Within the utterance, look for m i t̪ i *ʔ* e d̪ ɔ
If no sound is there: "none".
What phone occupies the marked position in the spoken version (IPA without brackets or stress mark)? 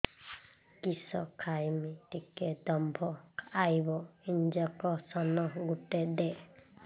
k